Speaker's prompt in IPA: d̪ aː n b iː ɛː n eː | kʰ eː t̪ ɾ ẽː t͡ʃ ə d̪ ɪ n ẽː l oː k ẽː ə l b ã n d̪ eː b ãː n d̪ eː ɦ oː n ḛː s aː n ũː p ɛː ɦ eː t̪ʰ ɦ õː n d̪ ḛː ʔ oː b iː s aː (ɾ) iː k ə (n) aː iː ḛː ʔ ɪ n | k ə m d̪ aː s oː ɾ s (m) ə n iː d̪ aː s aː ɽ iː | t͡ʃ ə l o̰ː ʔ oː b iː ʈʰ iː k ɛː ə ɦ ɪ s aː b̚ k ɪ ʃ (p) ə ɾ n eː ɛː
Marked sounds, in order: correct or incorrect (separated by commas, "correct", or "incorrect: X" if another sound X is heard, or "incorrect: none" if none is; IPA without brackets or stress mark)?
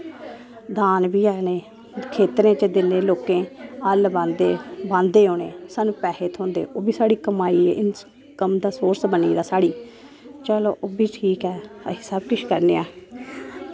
incorrect: ɽ, incorrect: m, incorrect: b, incorrect: k